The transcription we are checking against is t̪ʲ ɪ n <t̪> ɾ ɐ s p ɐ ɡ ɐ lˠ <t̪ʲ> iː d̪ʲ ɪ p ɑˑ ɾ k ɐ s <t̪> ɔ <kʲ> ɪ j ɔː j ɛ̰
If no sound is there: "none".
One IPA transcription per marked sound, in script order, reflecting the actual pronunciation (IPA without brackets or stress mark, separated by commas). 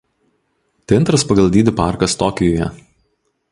t̪, d̪ʲ, t̪, kʲ